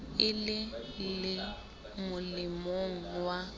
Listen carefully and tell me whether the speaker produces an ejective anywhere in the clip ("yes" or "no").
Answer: no